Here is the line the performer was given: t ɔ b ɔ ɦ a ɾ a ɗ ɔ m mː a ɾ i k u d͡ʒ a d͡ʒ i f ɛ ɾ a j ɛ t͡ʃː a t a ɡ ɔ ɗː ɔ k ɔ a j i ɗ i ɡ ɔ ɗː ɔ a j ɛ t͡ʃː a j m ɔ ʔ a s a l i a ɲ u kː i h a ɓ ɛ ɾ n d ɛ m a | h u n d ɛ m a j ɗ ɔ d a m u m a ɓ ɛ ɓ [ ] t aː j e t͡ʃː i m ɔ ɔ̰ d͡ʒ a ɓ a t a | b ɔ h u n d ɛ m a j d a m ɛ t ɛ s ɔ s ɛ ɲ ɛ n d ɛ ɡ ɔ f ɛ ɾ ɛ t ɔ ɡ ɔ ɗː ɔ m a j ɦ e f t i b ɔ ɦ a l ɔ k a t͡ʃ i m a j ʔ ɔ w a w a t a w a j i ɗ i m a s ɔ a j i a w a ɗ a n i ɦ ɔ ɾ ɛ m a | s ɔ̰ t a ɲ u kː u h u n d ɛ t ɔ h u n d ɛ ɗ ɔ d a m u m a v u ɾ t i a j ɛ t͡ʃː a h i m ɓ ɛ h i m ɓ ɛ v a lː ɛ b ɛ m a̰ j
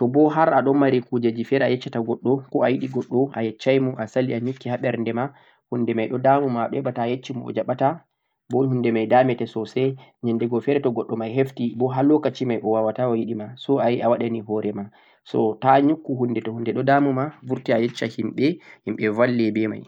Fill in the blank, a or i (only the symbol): a